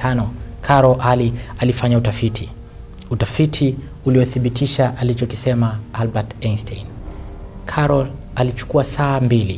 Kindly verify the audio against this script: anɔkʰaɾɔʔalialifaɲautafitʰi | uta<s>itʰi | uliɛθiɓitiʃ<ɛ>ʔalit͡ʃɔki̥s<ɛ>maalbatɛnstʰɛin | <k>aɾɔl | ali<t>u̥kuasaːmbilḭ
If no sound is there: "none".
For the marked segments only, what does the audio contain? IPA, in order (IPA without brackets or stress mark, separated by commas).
f, a, ɛ, kʰ, t͡ʃ